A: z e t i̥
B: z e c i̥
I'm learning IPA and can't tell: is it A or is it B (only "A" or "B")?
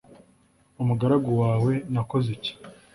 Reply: B